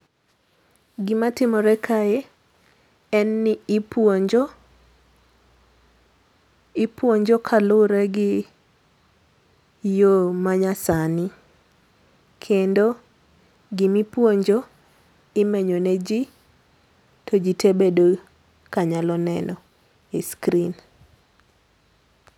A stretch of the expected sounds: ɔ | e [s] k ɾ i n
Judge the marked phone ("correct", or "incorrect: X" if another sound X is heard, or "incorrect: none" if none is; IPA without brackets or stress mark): correct